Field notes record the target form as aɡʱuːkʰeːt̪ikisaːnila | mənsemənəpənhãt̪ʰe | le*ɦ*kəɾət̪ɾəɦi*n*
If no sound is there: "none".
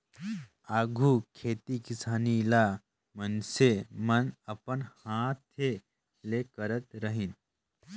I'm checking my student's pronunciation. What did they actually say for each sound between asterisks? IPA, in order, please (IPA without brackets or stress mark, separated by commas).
none, n